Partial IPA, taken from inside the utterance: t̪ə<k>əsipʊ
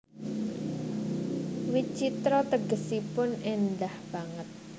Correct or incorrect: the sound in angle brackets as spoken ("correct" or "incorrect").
incorrect